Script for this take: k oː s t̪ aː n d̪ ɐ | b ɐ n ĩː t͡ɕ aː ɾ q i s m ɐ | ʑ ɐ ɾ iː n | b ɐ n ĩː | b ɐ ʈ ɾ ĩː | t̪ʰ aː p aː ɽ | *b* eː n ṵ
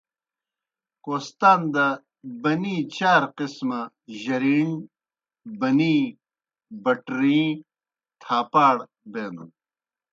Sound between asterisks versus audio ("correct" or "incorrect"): correct